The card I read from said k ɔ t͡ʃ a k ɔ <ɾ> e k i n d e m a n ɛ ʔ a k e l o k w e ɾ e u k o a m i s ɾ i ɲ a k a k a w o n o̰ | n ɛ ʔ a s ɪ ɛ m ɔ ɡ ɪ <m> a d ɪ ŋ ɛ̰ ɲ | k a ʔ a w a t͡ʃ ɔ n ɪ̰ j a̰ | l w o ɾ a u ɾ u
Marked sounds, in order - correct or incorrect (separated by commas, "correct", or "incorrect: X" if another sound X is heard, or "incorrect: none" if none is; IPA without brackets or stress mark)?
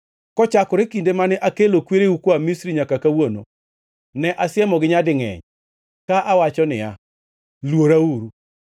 correct, incorrect: ɲ